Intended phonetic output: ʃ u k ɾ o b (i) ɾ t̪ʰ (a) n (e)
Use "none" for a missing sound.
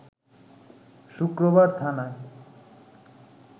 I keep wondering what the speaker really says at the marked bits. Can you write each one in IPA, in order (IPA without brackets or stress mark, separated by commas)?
a, a, a